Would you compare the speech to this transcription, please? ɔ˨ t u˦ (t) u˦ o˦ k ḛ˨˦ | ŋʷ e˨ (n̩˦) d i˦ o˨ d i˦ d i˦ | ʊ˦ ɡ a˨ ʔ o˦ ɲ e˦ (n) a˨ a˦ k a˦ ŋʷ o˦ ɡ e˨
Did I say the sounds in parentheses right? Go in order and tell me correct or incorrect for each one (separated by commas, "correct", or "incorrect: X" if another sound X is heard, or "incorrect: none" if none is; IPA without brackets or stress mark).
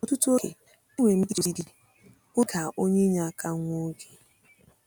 correct, incorrect: m̩˦, incorrect: ɲ